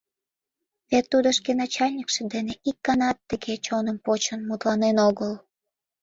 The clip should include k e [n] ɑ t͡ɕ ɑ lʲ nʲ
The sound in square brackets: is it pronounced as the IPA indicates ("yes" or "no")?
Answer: yes